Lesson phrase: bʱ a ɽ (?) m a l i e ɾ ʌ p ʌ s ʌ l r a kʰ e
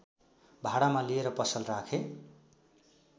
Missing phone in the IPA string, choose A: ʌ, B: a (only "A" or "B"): B